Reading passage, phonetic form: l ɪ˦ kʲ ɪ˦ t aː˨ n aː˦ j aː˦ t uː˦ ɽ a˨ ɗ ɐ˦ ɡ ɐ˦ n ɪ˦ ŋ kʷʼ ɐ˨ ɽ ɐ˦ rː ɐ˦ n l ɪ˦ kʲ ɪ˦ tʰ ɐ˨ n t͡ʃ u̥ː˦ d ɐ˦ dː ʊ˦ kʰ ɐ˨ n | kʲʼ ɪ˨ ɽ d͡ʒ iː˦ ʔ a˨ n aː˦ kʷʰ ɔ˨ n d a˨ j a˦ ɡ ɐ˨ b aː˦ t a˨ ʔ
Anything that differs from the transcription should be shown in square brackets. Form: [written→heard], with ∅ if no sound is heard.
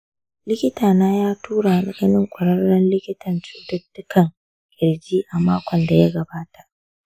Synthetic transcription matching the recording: l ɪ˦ kʲ ɪ˦ t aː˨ n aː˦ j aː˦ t uː˦ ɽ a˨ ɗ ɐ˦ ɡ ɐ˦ n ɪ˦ ŋ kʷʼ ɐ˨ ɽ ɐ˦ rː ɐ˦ n l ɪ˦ kʲ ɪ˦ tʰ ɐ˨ n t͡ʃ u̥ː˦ d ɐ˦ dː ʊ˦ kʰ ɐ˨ [n→ŋ] | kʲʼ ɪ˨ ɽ d͡ʒ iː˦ ʔ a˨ [n→m] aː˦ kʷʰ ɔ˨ n d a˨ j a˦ ɡ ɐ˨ b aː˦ t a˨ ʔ